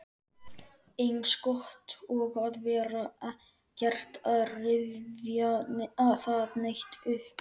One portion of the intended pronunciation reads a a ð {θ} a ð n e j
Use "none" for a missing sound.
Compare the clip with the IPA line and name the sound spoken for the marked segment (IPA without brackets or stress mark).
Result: θ